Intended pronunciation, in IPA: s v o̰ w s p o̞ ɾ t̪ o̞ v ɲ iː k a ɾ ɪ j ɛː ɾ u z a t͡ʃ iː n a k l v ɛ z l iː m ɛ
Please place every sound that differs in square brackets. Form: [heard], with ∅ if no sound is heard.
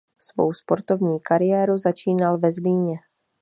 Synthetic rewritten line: s v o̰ w s p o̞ ɾ t̪ o̞ v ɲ iː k a ɾ ɪ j ɛː ɾ u z a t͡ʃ iː n a [∅] l v ɛ z l iː [ɲ] ɛ